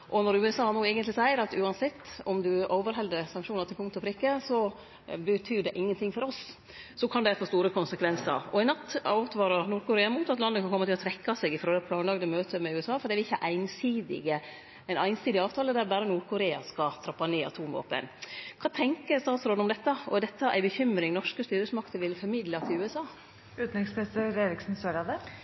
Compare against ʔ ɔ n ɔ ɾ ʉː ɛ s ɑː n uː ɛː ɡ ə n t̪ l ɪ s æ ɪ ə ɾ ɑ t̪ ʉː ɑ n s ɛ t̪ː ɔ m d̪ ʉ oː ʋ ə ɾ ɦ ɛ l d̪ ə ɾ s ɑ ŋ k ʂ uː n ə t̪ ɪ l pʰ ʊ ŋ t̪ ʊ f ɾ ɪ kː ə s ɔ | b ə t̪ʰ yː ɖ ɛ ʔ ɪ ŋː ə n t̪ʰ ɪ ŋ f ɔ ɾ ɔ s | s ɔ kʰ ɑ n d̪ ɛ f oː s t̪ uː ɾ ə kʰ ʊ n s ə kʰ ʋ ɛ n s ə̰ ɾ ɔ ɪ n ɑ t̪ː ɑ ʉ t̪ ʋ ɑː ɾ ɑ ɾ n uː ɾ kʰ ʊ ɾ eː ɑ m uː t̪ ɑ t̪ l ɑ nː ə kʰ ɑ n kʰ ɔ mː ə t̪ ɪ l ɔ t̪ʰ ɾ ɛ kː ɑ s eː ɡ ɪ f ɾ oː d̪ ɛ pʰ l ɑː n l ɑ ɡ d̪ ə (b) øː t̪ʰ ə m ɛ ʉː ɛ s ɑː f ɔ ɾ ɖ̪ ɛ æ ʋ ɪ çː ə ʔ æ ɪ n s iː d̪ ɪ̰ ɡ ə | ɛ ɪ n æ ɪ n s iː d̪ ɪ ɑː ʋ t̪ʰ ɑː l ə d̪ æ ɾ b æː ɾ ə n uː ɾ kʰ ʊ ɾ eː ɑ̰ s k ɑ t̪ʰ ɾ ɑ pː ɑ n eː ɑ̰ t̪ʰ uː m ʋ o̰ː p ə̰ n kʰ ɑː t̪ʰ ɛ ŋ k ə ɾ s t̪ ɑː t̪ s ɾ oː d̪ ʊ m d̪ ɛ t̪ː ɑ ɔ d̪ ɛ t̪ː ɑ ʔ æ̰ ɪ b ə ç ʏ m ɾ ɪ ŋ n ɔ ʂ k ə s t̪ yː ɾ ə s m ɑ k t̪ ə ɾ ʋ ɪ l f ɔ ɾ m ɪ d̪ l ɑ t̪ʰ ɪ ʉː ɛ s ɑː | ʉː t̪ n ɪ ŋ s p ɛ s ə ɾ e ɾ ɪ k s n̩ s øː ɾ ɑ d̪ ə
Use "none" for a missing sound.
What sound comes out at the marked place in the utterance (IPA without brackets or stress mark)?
m